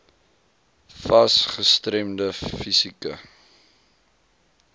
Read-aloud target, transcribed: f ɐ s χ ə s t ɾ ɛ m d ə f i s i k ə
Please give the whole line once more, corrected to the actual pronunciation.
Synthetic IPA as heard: f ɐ s χ ə s t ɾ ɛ m d ə f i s i k ə